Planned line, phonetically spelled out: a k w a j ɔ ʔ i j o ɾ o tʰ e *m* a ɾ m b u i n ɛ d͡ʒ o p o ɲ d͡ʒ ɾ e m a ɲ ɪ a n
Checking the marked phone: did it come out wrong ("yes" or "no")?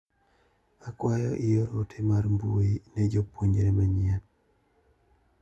no